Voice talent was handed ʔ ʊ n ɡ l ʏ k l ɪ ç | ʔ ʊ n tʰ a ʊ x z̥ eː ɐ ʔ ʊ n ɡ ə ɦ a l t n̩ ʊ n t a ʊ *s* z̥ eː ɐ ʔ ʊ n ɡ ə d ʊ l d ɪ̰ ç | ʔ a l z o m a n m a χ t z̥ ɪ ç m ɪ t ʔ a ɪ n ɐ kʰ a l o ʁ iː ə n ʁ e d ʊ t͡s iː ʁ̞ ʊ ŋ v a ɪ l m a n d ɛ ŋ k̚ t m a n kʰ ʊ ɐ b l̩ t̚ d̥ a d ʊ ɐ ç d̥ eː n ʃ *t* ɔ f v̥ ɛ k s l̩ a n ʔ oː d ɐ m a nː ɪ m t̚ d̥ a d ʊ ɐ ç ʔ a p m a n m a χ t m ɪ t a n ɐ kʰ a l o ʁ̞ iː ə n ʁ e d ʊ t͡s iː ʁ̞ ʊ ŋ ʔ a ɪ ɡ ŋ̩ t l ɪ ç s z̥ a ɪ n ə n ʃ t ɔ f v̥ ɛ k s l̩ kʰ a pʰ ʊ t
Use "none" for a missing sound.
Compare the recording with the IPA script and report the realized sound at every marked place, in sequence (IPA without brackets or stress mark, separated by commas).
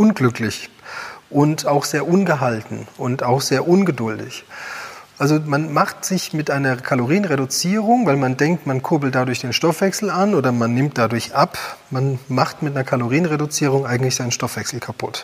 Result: x, t